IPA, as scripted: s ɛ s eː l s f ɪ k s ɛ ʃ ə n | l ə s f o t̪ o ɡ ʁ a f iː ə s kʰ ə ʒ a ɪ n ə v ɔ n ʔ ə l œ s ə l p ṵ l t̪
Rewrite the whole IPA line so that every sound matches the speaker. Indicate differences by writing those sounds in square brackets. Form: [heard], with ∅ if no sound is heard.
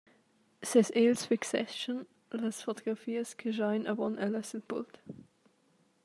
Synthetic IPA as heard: s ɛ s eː l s f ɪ k s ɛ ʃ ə n | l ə s f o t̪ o ɡ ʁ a f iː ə s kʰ ə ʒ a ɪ n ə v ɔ n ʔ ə l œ s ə l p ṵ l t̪